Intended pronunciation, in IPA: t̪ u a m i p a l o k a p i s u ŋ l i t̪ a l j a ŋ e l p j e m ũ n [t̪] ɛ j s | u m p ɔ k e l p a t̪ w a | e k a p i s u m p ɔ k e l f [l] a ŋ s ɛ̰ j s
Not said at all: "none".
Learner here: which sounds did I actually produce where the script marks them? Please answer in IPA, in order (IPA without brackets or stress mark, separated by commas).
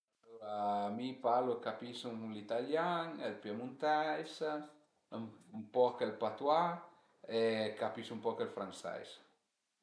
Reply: t̪, ɾ